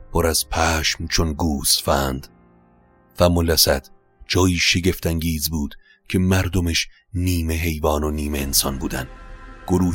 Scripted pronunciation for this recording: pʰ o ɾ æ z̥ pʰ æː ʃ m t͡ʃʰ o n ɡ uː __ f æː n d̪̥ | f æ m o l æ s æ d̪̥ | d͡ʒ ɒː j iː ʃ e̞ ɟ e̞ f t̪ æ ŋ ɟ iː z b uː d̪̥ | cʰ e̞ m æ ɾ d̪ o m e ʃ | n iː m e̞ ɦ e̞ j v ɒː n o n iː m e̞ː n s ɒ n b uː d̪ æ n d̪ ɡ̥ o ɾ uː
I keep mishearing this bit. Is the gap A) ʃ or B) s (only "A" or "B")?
B